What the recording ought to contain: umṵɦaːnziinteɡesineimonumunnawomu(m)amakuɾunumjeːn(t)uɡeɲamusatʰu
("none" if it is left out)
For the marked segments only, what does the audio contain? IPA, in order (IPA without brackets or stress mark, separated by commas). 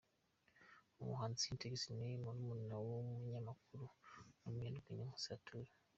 ɲ, d